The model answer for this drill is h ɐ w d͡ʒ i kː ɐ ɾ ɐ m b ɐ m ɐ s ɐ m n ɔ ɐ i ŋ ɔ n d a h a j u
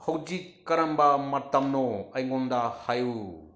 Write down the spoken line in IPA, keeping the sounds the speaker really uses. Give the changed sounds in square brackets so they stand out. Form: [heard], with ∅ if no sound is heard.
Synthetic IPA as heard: h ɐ w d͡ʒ i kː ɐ ɾ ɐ m b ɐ m ɐ [t] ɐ m n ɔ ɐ [j] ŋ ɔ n d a h a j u